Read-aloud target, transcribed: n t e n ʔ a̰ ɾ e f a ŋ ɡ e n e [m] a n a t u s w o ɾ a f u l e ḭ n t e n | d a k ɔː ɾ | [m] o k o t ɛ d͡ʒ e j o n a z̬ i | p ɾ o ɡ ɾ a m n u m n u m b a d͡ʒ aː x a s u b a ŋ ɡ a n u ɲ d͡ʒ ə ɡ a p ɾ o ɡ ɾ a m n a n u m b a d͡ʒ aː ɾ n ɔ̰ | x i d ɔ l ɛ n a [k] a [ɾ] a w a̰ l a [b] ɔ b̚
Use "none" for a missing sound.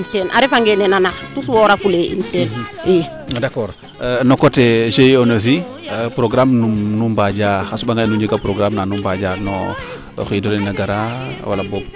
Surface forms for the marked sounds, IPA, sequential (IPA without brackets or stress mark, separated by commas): n, n, ɡ, ɾ, b